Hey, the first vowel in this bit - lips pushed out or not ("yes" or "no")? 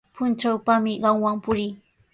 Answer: yes